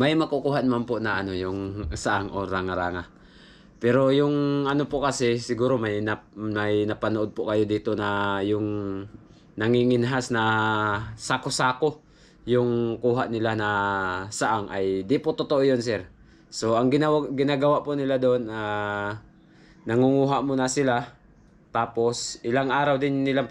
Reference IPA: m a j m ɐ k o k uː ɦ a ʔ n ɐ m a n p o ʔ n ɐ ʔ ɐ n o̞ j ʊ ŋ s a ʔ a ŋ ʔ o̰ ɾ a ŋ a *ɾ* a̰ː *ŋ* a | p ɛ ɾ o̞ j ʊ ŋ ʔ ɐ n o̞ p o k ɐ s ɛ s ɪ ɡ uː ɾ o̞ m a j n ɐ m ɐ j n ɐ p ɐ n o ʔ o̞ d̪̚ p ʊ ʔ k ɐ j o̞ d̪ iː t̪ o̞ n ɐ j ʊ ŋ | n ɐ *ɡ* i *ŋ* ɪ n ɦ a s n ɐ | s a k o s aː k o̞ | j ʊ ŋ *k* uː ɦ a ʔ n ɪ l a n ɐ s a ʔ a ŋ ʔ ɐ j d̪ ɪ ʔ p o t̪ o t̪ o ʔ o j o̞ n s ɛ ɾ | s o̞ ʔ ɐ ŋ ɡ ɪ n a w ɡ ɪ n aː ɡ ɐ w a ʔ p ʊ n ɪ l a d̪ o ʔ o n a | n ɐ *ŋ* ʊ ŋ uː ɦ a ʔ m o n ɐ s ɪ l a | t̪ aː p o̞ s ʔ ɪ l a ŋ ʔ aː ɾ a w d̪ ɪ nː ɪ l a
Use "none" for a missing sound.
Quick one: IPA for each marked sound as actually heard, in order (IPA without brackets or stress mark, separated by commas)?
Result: ɾ, ŋ, ŋ, ŋ, k, ŋ